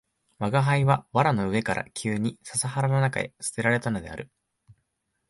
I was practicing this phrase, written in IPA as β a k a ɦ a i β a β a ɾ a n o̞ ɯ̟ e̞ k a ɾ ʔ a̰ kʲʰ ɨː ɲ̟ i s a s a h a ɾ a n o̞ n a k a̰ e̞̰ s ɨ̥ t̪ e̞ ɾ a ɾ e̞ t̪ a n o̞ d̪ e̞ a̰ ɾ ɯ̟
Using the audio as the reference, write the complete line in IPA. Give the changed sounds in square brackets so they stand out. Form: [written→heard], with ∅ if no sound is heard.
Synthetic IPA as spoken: β a [k→ɡ] a ɦ a i β a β a ɾ a n o̞ ɯ̟ e̞ k a ɾ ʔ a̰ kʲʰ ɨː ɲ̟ i s a s a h a ɾ a n o̞ n a k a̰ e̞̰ s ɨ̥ t̪ e̞ ɾ a ɾ e̞ t̪ a n o̞ d̪ e̞ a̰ ɾ ɯ̟